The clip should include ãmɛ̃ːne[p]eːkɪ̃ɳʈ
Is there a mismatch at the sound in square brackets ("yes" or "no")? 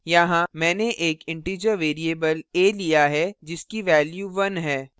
yes